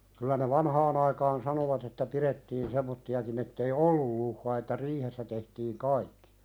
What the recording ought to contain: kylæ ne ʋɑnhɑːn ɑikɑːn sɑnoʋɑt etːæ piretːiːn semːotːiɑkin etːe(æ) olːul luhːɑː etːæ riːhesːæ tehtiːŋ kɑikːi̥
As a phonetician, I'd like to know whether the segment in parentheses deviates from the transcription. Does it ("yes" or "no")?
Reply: yes